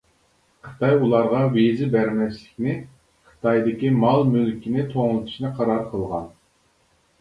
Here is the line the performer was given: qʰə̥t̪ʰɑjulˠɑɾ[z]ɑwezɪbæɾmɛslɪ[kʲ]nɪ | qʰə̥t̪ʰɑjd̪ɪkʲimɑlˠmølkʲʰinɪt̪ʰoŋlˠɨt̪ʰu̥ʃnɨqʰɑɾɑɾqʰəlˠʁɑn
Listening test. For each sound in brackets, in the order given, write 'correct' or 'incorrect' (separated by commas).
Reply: incorrect, correct